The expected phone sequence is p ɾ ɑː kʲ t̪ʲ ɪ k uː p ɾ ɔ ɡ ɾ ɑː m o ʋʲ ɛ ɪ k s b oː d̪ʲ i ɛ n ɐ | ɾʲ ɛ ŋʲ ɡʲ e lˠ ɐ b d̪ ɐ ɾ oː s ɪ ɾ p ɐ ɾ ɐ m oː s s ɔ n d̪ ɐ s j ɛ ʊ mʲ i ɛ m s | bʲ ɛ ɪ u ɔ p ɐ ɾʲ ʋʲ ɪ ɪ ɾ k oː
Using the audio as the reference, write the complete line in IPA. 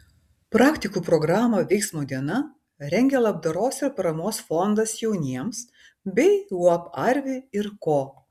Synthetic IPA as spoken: p ɾ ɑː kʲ t̪ʲ ɪ k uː p ɾ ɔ ɡ ɾ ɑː m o ʋʲ ɛ ɪ k s m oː d̪ʲ i ɛ n ɐ | ɾʲ ɛ ŋʲ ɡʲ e lˠ ɐ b d̪ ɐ ɾ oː s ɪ ɾ p ɐ ɾ ɐ m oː s f ɔ n d̪ ɐ s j ɛ ʊ nʲ i ɛ m s | bʲ ɛ ɪ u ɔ p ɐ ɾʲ ʋʲ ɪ ɪ ɾ k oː